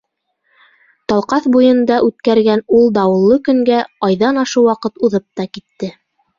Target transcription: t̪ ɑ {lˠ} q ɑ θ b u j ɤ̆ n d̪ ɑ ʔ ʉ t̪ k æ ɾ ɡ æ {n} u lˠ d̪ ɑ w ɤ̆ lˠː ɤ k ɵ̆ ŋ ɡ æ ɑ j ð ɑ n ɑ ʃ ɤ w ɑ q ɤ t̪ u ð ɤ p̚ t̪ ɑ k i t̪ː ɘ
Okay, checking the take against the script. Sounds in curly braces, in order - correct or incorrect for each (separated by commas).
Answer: correct, correct